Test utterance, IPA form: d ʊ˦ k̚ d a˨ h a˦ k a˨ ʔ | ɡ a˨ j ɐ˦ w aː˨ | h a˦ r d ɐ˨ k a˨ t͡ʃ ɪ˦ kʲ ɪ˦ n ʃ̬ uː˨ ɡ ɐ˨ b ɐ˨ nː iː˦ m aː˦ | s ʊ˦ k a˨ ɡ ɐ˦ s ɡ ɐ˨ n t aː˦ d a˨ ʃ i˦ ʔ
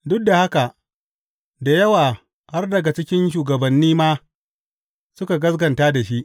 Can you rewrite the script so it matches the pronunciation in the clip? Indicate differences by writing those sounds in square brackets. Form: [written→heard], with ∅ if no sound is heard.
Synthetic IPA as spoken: d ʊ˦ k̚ d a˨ h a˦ k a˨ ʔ | [ɡ→d] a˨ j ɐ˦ w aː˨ | h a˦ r d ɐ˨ [k→ɡ] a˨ t͡ʃ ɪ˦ kʲ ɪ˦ n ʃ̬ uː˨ ɡ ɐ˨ b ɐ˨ nː iː˦ m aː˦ | s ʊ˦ k a˨ ɡ ɐ˦ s ɡ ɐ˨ n t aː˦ d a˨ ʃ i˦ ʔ